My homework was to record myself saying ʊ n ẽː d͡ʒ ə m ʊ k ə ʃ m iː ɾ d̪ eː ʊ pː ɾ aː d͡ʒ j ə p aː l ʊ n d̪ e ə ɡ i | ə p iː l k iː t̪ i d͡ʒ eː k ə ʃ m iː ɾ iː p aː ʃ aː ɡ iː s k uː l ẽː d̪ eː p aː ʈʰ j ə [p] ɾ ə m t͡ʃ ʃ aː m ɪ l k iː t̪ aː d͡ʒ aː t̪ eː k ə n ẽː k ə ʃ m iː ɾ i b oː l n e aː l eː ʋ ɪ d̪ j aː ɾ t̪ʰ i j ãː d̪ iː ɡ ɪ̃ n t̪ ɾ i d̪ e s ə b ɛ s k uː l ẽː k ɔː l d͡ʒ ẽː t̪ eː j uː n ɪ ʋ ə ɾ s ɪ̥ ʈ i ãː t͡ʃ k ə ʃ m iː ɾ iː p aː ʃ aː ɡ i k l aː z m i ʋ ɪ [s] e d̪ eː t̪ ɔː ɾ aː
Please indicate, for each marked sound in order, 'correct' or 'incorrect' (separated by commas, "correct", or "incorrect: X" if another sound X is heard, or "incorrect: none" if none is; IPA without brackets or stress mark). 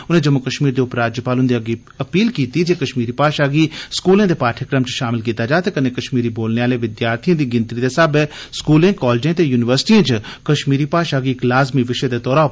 incorrect: k, incorrect: ʃ